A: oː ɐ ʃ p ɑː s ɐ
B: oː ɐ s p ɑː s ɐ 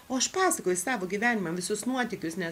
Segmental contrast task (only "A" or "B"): A